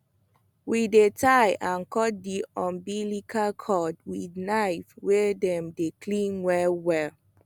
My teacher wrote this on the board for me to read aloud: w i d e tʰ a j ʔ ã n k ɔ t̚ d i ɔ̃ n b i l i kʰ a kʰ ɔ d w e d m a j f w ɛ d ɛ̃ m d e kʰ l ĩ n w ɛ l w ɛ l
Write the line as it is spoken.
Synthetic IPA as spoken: w i d e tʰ a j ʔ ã n k ɔ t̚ d i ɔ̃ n b i l i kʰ a kʰ ɔ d w i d n a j f w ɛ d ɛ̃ m d e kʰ l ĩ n w ɛ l w ɛ l